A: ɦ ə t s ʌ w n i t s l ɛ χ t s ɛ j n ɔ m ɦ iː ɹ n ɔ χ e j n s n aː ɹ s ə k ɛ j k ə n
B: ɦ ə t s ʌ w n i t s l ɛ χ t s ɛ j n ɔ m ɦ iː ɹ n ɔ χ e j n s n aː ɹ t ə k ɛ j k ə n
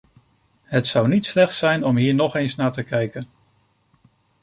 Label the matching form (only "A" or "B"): B